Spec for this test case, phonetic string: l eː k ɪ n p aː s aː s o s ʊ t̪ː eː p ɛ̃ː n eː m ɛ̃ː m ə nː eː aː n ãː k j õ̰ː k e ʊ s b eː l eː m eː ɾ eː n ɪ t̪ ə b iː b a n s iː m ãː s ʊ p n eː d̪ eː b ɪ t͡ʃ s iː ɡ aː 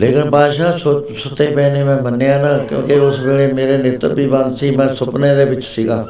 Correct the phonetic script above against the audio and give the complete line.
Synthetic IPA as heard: l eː k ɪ n p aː ʃ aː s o s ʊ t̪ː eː p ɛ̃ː n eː m ɛ̃ː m ə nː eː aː n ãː k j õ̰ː k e ʊ s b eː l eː m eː ɾ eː n ɪ t̪ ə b iː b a n s iː m ɛ̃ː s ʊ p n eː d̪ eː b ɪ t͡ʃ s iː ɡ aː